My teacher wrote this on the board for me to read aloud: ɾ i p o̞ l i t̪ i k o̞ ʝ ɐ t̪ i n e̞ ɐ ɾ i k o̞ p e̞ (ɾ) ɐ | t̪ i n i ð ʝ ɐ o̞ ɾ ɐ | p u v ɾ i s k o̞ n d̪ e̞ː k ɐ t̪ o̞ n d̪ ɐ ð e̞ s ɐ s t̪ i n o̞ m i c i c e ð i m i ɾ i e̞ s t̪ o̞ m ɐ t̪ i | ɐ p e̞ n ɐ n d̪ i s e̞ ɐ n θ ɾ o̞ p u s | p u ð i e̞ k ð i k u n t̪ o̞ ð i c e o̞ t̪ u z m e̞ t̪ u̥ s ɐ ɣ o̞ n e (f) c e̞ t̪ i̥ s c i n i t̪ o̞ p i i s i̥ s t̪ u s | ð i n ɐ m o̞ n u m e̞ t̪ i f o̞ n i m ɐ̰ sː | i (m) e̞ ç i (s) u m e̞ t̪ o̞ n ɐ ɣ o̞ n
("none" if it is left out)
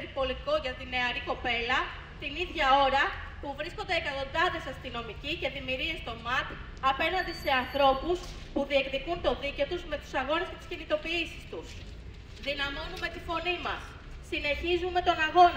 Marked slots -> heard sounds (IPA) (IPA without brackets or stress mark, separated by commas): l, s, n, z